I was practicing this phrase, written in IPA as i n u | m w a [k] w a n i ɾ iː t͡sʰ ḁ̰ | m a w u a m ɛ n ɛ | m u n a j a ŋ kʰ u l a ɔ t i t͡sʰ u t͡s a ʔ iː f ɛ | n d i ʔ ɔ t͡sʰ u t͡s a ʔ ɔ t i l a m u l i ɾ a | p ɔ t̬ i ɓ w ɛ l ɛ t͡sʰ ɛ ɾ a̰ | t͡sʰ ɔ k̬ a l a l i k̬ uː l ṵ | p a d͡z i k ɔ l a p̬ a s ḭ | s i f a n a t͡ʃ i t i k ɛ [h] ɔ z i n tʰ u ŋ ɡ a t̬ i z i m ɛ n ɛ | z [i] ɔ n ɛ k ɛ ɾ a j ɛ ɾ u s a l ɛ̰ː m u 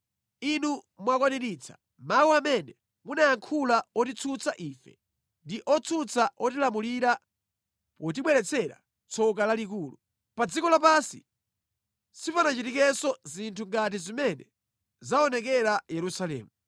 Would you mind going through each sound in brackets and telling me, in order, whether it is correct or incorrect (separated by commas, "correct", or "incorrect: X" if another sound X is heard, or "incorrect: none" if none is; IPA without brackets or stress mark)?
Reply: correct, incorrect: s, incorrect: a